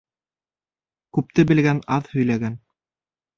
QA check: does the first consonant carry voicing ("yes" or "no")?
no